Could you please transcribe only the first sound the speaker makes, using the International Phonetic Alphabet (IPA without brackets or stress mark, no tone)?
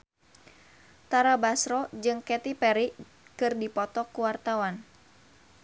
t̪